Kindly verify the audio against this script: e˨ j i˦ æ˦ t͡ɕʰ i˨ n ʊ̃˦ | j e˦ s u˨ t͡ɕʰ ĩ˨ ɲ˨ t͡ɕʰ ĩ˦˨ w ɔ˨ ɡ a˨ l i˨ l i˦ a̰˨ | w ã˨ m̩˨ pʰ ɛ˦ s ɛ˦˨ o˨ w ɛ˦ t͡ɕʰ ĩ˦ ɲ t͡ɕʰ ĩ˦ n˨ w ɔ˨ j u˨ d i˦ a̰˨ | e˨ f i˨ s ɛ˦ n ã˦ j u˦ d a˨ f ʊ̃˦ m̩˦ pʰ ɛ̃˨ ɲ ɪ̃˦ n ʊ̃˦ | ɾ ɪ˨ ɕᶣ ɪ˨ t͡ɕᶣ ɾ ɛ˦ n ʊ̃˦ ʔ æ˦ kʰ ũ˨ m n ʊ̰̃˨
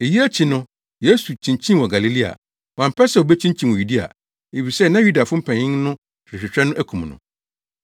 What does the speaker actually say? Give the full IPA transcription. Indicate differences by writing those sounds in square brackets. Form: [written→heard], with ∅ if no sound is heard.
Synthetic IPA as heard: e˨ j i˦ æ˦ t͡ɕʰ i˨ n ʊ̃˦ | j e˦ s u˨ t͡ɕʰ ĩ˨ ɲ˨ t͡ɕʰ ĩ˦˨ w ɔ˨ ɡ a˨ l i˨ l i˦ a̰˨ | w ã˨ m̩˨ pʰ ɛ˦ s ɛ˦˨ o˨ [w→b] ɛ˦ t͡ɕʰ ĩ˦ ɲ t͡ɕʰ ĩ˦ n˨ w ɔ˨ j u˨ d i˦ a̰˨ | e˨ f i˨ s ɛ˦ n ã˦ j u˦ d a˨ f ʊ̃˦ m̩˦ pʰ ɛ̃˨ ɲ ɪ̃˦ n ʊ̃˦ | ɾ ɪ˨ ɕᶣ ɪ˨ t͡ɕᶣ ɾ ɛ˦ n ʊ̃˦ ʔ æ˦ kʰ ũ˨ m n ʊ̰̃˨

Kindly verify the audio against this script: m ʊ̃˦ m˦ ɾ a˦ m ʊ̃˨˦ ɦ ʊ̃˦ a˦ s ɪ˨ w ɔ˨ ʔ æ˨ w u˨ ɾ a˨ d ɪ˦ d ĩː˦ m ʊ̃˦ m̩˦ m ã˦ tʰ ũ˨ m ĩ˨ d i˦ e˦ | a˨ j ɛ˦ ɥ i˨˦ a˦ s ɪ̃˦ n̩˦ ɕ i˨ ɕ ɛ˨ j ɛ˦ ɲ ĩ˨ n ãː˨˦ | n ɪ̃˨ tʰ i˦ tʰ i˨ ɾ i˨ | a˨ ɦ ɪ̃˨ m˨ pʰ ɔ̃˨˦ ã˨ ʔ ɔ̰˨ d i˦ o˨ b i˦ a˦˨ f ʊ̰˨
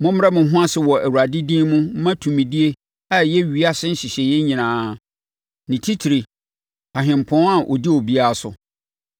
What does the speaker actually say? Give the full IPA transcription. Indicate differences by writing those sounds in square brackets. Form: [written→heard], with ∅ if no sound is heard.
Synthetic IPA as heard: m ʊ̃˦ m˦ ɾ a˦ m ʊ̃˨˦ ɦ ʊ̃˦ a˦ s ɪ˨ w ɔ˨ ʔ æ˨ w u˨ ɾ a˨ d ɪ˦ d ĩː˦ m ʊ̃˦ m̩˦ m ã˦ tʰ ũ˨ m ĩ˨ d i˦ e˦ | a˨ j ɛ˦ ɥ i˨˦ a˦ s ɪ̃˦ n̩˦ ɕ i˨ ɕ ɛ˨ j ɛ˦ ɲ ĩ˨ n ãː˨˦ | n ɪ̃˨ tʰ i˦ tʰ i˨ ɾ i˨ | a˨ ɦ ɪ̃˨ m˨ pʰ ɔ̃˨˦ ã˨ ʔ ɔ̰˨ d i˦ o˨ b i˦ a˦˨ [f→s] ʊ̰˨

